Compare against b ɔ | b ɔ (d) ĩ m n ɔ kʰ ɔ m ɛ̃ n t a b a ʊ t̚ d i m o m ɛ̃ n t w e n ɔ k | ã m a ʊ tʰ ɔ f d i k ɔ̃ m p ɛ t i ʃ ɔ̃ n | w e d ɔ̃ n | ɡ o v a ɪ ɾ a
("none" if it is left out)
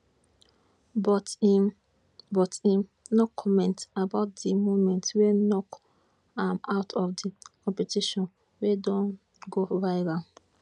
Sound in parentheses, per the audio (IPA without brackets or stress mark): t